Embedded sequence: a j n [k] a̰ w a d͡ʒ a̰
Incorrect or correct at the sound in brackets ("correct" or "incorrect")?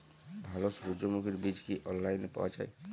incorrect